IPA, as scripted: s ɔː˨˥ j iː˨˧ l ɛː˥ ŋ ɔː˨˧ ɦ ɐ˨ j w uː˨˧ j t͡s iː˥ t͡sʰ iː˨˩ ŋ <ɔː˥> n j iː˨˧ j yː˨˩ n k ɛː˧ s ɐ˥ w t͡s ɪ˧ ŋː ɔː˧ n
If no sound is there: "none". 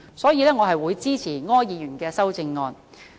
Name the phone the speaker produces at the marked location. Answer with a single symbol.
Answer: ɔː˥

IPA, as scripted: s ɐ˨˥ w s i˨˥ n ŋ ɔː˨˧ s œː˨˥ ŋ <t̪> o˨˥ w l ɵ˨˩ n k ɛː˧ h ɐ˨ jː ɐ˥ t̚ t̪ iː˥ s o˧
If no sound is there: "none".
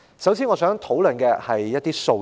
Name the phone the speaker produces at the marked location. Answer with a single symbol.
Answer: t̪ʰ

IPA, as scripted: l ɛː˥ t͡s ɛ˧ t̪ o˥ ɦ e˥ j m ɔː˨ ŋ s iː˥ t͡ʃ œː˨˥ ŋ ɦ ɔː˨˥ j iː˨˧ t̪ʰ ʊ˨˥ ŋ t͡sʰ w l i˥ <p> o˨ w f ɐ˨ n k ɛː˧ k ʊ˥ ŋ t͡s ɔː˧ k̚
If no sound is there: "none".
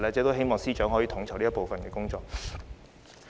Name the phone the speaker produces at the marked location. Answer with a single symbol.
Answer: p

